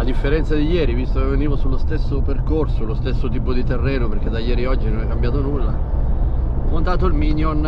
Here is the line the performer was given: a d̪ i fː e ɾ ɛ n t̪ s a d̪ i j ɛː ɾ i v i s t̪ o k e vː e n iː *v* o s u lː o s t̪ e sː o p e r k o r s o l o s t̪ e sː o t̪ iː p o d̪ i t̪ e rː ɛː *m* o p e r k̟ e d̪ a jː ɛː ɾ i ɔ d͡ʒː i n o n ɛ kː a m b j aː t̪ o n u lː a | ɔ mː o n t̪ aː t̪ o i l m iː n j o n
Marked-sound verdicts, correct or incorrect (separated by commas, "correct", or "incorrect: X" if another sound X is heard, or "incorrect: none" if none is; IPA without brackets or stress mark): correct, incorrect: n